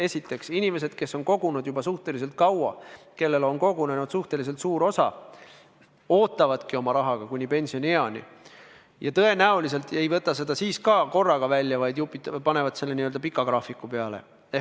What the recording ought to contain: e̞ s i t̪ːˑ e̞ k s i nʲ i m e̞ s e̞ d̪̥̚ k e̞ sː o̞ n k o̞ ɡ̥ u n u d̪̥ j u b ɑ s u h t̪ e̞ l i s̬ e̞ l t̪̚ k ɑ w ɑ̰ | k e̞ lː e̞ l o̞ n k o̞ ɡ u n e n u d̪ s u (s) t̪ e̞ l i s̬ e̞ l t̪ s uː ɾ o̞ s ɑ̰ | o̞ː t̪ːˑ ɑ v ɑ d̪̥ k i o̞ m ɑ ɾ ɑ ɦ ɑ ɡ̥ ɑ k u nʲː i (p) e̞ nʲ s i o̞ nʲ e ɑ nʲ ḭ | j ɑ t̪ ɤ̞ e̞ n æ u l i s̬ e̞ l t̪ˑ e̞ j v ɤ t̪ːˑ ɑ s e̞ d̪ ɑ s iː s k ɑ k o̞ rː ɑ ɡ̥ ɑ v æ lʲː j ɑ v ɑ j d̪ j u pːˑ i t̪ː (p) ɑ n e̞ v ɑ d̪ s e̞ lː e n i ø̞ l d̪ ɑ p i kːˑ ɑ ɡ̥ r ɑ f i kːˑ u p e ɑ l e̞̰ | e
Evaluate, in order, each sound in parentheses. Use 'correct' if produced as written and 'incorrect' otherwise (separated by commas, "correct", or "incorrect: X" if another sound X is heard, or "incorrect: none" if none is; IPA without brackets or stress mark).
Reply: incorrect: h, correct, correct